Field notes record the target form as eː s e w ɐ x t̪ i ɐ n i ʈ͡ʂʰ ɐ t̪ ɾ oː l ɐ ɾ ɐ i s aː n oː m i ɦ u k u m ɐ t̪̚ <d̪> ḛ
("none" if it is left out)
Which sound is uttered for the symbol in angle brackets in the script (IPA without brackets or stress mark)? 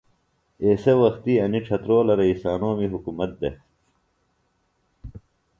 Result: d̪